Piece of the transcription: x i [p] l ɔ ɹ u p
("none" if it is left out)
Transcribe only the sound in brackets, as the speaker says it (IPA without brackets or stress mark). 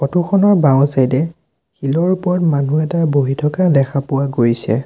none